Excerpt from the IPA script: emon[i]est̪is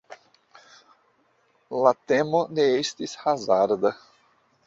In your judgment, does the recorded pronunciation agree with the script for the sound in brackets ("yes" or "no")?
no